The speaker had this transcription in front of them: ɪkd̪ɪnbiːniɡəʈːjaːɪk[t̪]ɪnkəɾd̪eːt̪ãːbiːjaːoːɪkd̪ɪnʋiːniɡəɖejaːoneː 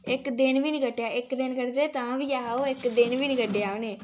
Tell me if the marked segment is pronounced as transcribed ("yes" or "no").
no